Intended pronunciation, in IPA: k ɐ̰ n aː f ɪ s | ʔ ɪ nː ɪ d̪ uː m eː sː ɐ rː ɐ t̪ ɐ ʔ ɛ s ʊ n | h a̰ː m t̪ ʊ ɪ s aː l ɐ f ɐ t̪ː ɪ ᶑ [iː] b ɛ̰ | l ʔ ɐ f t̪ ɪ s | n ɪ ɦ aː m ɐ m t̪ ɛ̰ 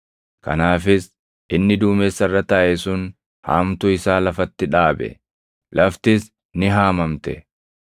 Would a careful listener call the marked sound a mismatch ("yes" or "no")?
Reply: yes